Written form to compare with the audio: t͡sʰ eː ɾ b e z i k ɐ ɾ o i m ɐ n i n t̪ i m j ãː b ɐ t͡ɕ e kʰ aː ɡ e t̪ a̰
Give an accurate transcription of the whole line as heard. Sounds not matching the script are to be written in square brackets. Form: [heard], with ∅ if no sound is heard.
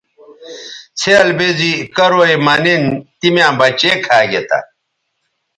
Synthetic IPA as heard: t͡sʰ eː [l] b e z i k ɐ ɾ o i m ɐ n i n t̪ i m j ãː b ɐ t͡ɕ e kʰ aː ɡ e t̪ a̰